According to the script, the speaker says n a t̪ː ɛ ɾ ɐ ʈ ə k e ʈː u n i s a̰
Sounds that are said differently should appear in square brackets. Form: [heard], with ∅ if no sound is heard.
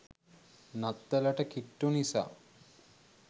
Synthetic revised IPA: n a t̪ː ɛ [l] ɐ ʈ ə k [i] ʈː u n i s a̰